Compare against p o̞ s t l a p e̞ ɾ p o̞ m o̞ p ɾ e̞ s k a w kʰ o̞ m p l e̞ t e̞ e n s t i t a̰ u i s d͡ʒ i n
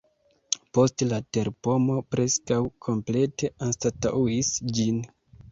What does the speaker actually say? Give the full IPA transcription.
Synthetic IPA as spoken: p o̞ s t l a t e̞ ɾ p o̞ m o̞ p ɾ e̞ s k a w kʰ o̞ m p l e̞ t e̞ a n s t a t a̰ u i s d͡ʒ i n